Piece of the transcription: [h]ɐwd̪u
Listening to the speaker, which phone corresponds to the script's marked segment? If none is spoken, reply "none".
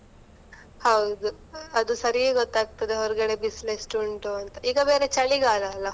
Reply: h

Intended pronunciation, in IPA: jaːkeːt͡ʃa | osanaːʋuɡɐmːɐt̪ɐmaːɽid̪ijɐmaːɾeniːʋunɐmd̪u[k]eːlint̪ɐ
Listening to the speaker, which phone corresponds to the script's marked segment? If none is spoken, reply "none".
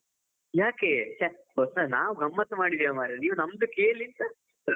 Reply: k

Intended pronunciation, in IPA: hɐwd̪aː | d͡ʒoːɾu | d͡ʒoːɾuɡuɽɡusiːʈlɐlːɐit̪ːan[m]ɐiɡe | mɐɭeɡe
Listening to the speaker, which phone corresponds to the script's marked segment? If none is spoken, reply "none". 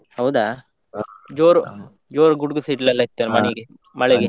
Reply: m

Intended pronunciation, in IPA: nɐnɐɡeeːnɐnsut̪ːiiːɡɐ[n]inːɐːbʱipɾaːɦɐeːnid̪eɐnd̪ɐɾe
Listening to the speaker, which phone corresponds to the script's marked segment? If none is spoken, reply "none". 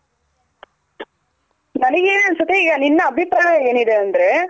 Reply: n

